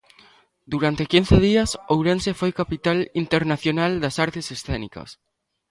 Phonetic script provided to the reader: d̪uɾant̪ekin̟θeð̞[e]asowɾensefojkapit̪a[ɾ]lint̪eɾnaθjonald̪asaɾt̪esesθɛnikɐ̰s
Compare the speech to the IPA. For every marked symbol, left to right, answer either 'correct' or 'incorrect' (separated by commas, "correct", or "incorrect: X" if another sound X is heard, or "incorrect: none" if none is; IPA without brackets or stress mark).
incorrect: i, incorrect: none